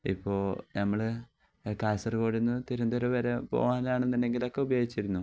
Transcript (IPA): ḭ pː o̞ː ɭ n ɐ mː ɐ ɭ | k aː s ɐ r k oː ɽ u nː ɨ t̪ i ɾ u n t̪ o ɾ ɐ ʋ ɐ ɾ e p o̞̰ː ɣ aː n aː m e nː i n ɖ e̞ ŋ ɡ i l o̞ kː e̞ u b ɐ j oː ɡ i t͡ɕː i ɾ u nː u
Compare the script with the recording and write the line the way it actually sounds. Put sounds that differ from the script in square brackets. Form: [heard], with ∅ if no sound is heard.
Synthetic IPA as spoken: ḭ pː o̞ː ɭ n ɐ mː ɐ ɭ | k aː s ɐ r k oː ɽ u nː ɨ t̪ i ɾ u n [d̪] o ɾ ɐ ʋ ɐ ɾ e p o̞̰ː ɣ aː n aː [ɳ] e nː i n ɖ e̞ ŋ ɡ i l o̞ kː e̞ u b ɐ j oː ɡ i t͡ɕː i ɾ u nː u